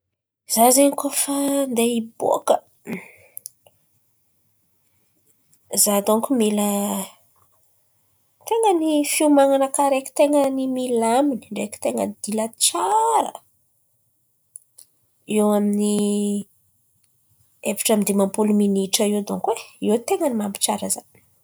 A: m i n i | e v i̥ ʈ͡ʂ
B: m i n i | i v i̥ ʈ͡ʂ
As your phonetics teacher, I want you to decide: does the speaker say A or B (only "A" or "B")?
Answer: A